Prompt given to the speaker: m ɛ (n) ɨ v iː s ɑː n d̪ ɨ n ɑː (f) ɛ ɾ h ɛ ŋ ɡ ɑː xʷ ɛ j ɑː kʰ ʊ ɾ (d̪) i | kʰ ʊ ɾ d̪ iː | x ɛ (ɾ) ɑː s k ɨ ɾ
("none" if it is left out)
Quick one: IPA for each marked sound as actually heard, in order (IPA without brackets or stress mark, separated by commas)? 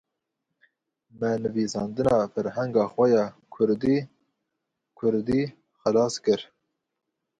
n, f, d̪, l